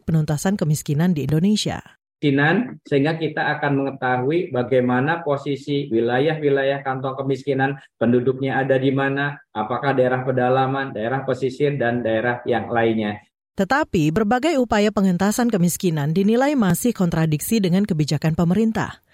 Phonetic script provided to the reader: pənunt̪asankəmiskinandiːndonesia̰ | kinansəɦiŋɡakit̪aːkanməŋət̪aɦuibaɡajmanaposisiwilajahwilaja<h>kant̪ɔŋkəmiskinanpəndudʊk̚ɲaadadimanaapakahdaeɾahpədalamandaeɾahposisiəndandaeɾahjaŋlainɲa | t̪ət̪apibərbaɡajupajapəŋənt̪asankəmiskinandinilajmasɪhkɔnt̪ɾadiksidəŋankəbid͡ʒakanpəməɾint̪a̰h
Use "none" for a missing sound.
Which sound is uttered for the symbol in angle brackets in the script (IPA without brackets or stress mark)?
h